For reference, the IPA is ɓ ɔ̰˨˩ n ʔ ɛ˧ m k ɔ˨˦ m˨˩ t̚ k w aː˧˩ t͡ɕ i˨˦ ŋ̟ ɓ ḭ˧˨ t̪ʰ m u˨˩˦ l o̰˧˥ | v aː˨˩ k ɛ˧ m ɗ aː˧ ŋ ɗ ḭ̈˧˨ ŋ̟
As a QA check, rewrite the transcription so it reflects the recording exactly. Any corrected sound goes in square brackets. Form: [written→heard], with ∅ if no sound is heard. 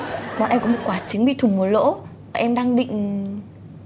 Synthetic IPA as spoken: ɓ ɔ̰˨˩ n ʔ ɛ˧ m k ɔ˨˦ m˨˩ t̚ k w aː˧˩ t͡ɕ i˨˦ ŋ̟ ɓ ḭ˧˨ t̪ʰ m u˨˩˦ l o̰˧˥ | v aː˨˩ [k→ʔ] ɛ˧ m ɗ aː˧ ŋ ɗ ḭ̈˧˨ ŋ̟